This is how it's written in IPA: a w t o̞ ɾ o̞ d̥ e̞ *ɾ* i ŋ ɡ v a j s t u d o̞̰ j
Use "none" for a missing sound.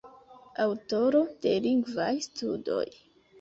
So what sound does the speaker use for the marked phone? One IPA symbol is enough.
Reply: l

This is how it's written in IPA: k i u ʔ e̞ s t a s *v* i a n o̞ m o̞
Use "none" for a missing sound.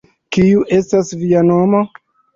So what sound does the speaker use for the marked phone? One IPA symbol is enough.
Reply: v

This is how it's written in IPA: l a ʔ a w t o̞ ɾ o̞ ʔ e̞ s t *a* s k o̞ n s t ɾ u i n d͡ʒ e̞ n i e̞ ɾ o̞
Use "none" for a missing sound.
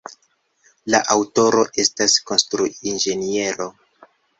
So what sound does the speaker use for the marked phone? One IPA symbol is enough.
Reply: a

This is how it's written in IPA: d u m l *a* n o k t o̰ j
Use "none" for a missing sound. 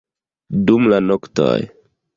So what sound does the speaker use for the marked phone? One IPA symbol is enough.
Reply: a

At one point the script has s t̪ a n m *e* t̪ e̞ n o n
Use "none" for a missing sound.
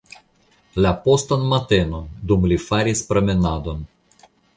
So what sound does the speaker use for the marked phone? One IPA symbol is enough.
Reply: a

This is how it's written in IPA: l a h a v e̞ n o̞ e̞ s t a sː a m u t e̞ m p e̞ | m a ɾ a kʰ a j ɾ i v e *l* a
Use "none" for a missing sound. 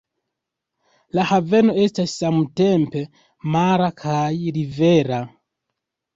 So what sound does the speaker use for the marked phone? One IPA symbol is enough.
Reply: ɾ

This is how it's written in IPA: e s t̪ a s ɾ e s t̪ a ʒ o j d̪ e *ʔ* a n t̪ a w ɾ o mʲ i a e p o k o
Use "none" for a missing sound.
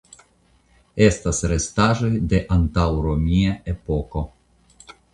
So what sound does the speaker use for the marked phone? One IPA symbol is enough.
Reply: ʔ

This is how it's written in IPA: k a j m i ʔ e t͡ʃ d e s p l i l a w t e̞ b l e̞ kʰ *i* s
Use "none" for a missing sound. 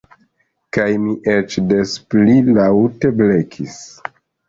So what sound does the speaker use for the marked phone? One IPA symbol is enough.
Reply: i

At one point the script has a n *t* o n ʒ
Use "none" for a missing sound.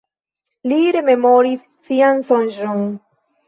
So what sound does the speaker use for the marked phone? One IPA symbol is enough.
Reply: s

